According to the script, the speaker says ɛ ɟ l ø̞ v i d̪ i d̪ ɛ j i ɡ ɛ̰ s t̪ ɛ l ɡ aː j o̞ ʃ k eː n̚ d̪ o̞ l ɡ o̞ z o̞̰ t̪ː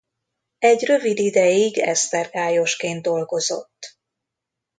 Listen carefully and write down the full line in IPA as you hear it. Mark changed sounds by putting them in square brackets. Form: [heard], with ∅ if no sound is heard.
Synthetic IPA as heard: ɛ ɟ [r] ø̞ v i d̪ i d̪ ɛ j i ɡ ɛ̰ s t̪ ɛ [r] ɡ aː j o̞ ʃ k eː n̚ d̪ o̞ l ɡ o̞ z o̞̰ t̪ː